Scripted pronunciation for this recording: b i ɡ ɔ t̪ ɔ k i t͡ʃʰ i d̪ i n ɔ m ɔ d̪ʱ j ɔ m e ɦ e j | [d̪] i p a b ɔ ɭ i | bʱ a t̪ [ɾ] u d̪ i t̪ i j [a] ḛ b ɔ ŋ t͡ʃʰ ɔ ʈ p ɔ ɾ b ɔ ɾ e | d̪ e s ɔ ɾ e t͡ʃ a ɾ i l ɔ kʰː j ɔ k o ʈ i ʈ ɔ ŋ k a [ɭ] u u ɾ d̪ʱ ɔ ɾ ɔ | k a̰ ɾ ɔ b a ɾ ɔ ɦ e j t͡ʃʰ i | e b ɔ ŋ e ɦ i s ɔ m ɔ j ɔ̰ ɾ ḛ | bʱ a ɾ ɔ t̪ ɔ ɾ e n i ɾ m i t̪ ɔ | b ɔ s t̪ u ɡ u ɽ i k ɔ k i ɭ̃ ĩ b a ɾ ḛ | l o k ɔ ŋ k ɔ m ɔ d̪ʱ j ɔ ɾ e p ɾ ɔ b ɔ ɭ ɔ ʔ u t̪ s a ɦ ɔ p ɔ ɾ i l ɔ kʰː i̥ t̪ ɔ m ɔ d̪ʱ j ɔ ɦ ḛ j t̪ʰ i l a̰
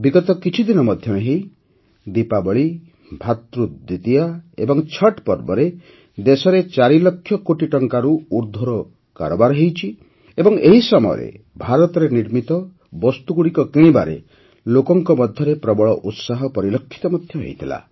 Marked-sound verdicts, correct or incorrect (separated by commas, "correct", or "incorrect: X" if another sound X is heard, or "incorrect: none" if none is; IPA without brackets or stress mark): correct, correct, correct, incorrect: ɾ